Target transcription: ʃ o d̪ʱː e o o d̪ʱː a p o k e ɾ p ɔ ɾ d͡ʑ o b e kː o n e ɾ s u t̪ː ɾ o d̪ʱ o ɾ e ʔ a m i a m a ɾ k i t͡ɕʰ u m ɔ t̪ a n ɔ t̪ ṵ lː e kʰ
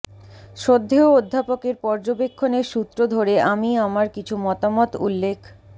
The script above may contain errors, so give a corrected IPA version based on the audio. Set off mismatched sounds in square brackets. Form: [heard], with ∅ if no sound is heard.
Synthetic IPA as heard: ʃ o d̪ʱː e o o d̪ʱː a p o k e ɾ p ɔ ɾ d͡ʑ o b e [kʰː] o n e ɾ [ʃ] u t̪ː ɾ o d̪ʱ o ɾ e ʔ a m i a m a ɾ k i t͡ɕʰ u m ɔ t̪ a [m] ɔ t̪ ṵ lː e kʰ

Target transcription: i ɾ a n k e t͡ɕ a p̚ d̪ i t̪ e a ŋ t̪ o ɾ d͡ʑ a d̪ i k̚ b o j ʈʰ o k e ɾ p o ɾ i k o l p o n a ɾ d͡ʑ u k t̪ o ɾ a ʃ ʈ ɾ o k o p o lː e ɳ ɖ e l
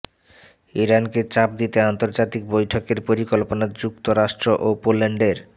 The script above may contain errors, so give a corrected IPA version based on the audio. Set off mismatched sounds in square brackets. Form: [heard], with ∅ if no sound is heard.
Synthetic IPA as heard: i ɾ a n k e t͡ɕ a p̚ d̪ i t̪ e a [n] t̪ o ɾ d͡ʑ a [t̪] i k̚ b o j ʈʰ o k e ɾ p o ɾ i k o l p o n a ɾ d͡ʑ u k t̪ o ɾ a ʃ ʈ ɾ o [ʔ] o p o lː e ɳ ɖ e [ɾ]

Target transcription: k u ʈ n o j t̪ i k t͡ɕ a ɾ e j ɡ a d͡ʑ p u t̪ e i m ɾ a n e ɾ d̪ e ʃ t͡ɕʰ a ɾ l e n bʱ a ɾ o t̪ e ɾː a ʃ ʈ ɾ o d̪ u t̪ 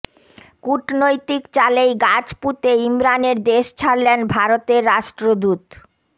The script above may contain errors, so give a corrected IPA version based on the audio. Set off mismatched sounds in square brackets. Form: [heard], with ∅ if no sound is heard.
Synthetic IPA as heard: k u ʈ n o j t̪ i k t͡ɕ a [l] e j ɡ a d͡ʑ p u t̪ e i m ɾ a n e ɾ d̪ e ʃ t͡ɕʰ a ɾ l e n bʱ a ɾ o t̪ e ɾː a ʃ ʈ ɾ o d̪ u t̪

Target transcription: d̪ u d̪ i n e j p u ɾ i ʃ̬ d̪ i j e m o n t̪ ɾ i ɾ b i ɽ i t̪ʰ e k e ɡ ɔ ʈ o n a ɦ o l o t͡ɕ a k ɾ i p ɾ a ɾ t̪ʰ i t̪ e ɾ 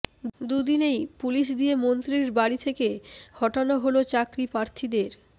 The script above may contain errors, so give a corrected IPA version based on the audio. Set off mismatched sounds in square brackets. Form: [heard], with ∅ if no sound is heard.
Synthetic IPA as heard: d̪ u d̪ i n e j p u [l] i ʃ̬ d̪ i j e m o n t̪ ɾ i ɾ b [a] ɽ i t̪ʰ e k e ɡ ɔ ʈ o n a ɦ o l o t͡ɕ a k ɾ i p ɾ a ɾ t̪ʰ i [d̪] e ɾ

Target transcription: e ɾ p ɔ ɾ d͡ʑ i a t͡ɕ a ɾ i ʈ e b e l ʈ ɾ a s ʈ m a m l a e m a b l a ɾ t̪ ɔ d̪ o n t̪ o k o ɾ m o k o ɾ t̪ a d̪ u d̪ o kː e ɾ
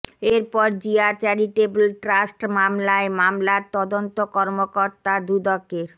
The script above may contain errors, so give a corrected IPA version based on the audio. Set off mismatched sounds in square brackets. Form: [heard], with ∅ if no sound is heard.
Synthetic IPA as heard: e ɾ p ɔ ɾ d͡ʑ i a t͡ɕ a ɾ i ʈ e b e l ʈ ɾ a s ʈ m a m l a e m a [m] l a ɾ t̪ ɔ d̪ o n t̪ o k [ɔ] ɾ m o k o ɾ t̪ a d̪ u d̪ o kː e ɾ

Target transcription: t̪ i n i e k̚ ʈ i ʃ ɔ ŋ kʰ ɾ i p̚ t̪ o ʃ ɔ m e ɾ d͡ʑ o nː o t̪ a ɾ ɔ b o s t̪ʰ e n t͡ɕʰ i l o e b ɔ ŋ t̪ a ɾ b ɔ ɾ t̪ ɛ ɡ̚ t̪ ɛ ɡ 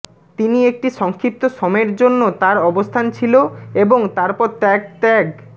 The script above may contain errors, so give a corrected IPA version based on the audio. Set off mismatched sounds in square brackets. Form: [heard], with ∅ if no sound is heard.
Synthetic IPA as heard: t̪ i n i e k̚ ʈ i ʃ ɔ ŋ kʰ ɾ i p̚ t̪ o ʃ ɔ m e ɾ d͡ʑ o nː o t̪ a ɾ ɔ b o s t̪ʰ [a] n t͡ɕʰ i l o e b [o] ŋ t̪ a ɾ [p] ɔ ɾ t̪ ɛ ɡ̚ t̪ ɛ ɡ

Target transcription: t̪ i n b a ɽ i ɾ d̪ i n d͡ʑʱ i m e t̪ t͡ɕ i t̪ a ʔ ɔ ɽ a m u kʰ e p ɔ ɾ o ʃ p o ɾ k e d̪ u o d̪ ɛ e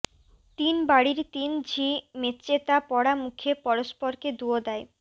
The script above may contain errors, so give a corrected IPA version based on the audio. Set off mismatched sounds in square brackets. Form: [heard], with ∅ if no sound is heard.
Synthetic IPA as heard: t̪ i n b a ɽ i ɾ [t̪] i n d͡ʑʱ i m e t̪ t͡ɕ [e] t̪ a [p] ɔ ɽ a m u kʰ e p ɔ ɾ o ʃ p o ɾ k e d̪ u o d̪ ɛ e

